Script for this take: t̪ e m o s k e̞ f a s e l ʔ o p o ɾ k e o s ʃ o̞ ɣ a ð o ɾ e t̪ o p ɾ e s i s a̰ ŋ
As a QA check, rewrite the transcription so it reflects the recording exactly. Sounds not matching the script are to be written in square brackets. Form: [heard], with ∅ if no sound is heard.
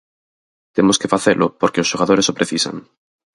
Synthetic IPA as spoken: t̪ e m o s k e̞ f a [θ] e l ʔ o p o ɾ k e o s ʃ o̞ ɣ a ð o ɾ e [∅] o p ɾ e [θ] i s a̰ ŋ